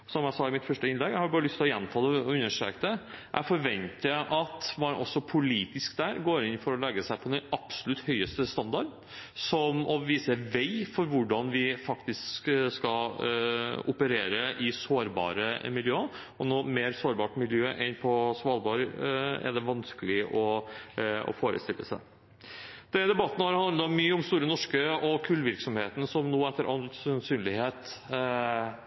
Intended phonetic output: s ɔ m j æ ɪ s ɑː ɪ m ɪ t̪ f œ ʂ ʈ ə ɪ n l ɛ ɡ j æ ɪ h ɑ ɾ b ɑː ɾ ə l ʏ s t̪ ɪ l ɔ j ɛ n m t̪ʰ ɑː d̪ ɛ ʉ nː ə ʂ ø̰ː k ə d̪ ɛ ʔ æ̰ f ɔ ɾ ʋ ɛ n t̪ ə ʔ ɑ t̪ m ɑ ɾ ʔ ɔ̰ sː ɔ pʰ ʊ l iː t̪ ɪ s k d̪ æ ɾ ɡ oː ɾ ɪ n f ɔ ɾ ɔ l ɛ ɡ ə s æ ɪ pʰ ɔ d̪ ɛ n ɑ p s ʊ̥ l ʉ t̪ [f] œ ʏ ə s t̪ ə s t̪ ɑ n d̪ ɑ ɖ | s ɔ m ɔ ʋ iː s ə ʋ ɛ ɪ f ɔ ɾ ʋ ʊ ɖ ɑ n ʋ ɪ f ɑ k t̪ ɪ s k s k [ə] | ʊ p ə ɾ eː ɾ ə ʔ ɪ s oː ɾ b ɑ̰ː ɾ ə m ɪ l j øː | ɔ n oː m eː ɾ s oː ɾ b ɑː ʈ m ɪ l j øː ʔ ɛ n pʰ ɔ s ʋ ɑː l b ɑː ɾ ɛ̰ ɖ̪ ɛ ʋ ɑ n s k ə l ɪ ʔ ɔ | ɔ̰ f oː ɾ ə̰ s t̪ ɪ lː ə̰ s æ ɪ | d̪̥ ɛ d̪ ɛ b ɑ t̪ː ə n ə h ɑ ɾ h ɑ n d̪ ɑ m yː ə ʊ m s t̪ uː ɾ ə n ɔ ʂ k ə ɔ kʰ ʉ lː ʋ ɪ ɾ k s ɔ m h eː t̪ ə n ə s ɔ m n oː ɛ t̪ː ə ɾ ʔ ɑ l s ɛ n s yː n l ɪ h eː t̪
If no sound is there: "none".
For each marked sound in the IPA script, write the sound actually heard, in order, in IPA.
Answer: h, ɑ

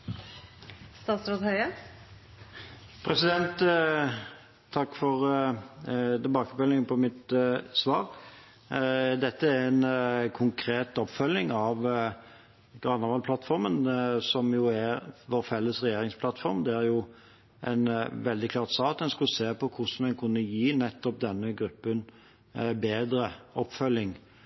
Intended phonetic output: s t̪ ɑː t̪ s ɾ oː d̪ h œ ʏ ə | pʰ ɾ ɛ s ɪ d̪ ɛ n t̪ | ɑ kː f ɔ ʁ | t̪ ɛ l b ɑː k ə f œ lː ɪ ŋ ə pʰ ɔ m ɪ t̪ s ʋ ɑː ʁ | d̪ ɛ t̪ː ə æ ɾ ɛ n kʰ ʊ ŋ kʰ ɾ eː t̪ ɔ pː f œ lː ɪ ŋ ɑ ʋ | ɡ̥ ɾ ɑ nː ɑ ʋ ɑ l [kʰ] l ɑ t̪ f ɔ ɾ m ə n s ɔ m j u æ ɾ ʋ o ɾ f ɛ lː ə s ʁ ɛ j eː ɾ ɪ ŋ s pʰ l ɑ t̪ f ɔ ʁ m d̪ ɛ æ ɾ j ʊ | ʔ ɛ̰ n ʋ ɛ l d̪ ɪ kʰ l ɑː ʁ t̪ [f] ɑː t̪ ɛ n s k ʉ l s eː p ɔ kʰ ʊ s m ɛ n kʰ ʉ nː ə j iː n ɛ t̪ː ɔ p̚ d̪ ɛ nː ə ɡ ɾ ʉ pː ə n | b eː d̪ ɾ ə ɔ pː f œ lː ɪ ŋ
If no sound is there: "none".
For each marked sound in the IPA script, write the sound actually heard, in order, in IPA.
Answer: pʰ, s

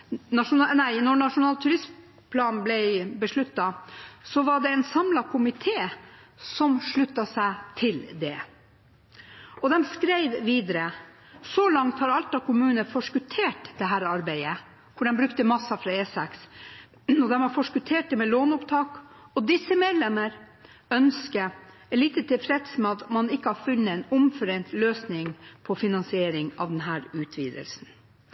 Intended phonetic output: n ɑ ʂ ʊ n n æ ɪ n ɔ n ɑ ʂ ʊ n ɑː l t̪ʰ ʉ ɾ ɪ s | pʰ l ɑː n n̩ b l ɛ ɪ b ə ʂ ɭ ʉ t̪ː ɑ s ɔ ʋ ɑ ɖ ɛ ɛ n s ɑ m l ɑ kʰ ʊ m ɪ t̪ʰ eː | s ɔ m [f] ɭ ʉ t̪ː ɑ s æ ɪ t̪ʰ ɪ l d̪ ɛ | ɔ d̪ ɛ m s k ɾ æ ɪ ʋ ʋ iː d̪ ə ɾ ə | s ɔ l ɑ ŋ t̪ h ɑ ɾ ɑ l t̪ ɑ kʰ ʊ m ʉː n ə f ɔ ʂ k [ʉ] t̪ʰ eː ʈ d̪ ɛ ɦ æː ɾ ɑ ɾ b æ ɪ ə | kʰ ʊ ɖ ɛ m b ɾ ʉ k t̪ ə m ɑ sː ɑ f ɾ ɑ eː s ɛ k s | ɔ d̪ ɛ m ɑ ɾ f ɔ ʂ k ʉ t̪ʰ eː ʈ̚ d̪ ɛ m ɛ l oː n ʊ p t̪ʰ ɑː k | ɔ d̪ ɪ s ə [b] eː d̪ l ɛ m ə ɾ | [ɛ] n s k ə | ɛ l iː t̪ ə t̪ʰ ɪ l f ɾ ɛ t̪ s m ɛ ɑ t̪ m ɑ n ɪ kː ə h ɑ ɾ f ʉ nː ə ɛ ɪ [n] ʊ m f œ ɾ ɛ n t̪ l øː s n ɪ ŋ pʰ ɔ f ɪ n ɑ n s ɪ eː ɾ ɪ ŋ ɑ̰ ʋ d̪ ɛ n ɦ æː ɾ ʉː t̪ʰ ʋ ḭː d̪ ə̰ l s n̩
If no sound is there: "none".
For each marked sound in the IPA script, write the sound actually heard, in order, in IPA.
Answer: ʂ, ʉ, m, œ, n

